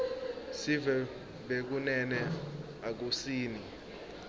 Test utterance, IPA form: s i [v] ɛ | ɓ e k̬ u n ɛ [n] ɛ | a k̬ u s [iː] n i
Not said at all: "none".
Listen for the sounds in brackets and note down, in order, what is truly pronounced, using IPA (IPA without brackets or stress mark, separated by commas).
v, n, iː